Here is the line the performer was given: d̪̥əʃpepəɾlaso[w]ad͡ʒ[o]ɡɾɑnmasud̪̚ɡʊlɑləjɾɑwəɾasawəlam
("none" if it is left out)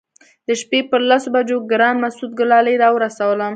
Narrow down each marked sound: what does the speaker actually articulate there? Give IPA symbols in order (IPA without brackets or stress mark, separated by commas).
b, o